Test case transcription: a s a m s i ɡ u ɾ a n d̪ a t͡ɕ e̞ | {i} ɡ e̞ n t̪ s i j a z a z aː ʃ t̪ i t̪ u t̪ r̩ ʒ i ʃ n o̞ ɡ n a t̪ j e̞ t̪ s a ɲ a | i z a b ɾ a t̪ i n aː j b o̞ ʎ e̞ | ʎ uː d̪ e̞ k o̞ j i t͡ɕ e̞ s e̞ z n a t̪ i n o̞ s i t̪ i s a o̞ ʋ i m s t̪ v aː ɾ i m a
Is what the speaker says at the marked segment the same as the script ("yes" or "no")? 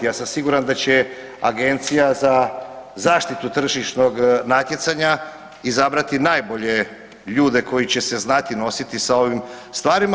no